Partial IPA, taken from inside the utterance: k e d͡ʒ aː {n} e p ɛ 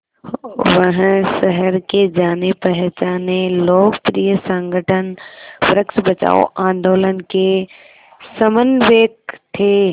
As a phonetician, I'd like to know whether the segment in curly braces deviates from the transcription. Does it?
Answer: no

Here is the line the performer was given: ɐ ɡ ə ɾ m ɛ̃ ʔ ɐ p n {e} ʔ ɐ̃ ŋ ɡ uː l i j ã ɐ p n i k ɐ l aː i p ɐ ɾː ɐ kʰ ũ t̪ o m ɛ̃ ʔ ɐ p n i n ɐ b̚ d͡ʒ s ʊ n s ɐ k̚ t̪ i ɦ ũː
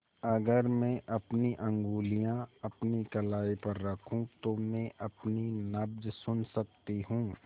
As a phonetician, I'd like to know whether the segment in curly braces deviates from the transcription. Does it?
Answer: yes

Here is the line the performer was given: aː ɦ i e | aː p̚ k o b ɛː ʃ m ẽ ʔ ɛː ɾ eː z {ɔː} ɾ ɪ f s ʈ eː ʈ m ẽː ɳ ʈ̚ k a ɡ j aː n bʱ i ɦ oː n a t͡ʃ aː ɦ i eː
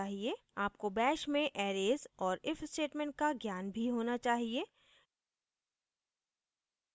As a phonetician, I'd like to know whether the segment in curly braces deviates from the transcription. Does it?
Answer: no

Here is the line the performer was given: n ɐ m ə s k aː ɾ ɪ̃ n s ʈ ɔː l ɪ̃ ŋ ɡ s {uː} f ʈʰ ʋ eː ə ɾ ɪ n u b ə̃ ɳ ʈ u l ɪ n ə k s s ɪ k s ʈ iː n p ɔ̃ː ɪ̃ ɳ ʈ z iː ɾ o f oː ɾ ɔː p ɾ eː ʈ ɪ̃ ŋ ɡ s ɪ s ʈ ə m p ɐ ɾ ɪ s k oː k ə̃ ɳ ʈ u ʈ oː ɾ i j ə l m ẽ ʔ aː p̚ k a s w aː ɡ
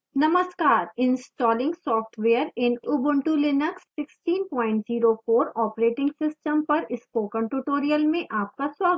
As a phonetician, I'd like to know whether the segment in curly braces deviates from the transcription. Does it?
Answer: yes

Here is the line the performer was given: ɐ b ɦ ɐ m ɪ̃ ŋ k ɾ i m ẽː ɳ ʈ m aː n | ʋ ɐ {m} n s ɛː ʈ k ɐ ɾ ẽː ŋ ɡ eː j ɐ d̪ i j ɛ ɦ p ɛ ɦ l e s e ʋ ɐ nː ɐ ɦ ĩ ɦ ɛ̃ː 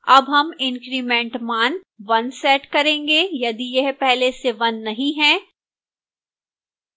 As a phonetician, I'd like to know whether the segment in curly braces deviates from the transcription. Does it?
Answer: yes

